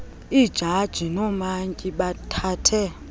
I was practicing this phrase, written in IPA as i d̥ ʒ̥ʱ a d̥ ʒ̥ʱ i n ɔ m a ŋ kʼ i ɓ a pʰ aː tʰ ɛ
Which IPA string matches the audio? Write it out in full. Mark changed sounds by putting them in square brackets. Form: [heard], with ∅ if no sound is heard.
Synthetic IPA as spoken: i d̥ ʒ̥ʱ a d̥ ʒ̥ʱ i n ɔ m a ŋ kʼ i ɓ a [tʰ] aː tʰ ɛ